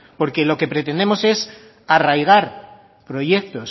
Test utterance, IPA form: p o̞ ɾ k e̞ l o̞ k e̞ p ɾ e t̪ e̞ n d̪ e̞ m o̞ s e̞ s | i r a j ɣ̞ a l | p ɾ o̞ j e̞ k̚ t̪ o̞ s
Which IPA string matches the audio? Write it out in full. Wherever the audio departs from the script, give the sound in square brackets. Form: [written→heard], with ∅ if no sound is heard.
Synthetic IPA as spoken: p o̞ ɾ k e̞ l o̞ k e̞ p ɾ e t̪ e̞ n d̪ e̞ m o̞ s e̞ s | [i→a] r a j ɣ̞ a [l→ɾ] | p ɾ o̞ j e̞ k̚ t̪ o̞ s